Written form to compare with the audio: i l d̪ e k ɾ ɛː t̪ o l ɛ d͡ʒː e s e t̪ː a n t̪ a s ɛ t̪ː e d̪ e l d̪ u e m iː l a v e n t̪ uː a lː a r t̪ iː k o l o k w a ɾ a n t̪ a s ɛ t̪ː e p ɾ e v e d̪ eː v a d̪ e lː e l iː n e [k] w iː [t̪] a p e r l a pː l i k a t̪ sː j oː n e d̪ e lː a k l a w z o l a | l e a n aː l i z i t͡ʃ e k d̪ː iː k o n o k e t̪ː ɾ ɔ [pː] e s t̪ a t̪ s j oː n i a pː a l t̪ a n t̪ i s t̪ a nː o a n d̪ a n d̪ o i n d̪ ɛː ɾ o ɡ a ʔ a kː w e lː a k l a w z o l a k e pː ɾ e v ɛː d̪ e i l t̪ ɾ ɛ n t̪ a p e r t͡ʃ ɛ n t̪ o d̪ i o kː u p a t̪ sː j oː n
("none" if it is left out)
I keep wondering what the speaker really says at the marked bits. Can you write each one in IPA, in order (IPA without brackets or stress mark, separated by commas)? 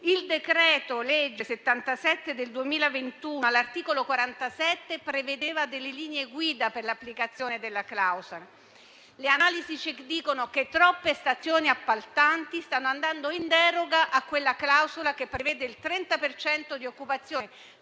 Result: ɡ, d̪, pː